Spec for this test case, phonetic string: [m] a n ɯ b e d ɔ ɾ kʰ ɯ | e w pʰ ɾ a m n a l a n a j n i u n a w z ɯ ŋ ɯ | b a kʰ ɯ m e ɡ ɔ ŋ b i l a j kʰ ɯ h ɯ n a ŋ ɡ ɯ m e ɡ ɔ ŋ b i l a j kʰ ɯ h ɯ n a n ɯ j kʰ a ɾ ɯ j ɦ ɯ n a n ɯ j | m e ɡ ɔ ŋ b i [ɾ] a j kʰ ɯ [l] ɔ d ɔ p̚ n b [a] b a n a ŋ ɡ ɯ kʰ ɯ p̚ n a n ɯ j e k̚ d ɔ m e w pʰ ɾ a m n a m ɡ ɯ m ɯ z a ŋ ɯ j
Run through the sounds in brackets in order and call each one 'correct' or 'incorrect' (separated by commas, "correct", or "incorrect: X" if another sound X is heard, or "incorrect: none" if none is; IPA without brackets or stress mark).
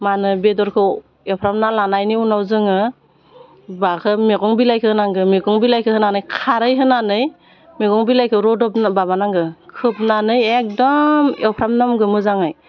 correct, incorrect: l, incorrect: ɾ, correct